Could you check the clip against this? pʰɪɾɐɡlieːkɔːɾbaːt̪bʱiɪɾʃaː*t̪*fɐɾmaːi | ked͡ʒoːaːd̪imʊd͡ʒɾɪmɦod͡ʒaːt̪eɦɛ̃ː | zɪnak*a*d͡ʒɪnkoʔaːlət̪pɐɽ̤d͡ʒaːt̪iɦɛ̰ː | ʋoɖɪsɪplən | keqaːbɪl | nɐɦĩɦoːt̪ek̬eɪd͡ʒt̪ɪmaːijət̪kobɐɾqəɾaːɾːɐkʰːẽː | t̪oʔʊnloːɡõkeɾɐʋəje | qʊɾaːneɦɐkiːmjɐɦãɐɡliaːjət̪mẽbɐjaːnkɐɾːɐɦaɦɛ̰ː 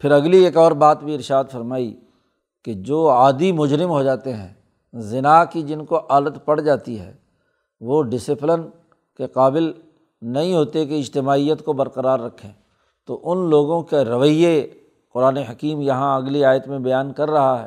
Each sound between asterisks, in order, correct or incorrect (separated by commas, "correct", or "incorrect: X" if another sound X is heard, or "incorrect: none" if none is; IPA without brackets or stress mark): incorrect: d̪, incorrect: i